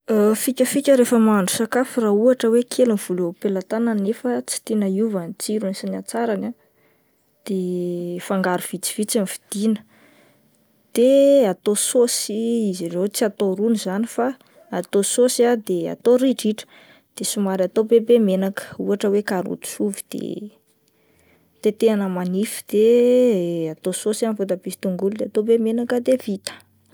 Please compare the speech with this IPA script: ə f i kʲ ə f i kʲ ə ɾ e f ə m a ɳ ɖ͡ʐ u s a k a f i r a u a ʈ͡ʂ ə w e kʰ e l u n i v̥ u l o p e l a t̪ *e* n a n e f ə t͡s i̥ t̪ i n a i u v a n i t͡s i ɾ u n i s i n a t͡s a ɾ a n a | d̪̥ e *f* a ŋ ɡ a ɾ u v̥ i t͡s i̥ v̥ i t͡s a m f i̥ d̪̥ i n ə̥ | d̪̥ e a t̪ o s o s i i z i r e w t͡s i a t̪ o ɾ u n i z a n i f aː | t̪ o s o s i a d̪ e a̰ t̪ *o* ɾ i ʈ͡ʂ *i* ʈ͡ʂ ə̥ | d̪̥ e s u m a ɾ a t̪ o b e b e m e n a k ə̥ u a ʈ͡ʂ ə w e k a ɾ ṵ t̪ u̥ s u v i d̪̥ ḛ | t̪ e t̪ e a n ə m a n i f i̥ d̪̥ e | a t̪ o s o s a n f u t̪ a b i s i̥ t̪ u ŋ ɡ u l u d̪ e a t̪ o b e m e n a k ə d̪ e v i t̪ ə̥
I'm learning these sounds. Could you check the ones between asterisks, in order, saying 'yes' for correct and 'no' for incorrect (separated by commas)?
no, yes, yes, yes